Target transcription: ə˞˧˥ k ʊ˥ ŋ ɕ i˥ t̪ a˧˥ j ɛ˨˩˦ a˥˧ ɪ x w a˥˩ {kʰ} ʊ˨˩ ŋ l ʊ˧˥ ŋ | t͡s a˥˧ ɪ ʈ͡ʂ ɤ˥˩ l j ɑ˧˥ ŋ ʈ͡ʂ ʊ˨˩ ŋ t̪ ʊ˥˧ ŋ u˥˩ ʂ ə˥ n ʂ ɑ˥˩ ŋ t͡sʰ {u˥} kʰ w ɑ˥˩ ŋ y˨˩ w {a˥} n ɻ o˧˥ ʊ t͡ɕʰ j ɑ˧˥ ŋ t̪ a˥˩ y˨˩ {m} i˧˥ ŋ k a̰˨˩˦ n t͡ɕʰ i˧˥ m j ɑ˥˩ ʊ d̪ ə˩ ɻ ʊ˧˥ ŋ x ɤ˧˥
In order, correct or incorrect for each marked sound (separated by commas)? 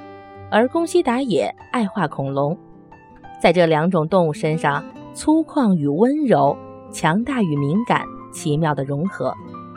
correct, correct, incorrect, correct